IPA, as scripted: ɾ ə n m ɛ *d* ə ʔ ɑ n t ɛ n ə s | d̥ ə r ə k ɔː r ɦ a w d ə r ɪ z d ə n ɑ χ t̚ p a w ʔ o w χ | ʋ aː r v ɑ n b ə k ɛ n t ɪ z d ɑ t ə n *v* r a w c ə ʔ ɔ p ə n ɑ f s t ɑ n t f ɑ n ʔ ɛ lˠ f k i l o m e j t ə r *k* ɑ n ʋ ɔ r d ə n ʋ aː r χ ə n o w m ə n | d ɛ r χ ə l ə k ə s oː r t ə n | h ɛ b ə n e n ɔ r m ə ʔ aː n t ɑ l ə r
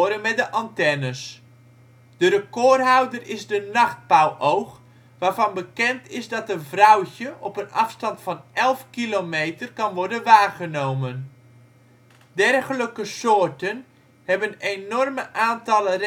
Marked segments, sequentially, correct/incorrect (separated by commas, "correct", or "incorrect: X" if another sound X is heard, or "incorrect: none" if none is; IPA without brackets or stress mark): correct, correct, correct